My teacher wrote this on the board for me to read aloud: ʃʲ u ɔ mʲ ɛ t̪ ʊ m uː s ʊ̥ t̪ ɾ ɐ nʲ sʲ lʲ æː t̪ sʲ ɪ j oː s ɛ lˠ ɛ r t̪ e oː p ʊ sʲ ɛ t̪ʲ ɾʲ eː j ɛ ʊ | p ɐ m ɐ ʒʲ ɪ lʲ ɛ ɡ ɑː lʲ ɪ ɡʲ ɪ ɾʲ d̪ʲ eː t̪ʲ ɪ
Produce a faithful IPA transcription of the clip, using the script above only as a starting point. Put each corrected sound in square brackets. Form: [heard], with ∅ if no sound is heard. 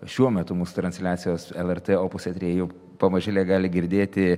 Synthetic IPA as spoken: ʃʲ u ɔ mʲ ɛ t̪ ʊ m uː s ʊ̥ t̪ ɾ ɐ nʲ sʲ lʲ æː t̪ sʲ ɪ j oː s ɛ lˠ ɛ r t̪ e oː p ʊ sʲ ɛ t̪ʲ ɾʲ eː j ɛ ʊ | p ɐ m ɐ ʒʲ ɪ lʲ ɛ ɡ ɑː lʲ ɪ ɡʲ ɪ ɾʲ d̪ʲ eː t̪ʲ ɪ